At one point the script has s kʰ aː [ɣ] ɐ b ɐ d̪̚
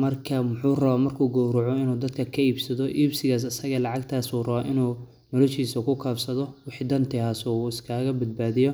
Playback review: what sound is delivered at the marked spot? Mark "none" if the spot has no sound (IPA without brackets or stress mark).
ɣ